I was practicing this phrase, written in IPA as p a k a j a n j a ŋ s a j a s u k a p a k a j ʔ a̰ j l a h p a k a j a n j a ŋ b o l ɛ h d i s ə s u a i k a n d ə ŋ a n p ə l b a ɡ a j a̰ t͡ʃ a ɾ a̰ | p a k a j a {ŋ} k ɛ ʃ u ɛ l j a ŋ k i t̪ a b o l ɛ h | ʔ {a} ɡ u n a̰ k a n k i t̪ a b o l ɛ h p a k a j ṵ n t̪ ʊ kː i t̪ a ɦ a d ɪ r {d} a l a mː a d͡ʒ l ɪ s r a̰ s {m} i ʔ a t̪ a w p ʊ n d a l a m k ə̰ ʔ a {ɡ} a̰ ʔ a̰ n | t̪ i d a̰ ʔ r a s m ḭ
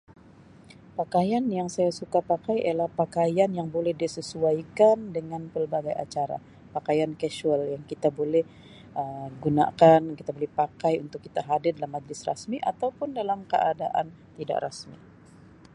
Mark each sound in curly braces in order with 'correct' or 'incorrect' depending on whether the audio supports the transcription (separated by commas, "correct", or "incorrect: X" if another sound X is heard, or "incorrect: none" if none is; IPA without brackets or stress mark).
incorrect: n, incorrect: ə, correct, correct, incorrect: d